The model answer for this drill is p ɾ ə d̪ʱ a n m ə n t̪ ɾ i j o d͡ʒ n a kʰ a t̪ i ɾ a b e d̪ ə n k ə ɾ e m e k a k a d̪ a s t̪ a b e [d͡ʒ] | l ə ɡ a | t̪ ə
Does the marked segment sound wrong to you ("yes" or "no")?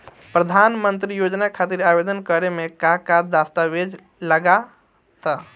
no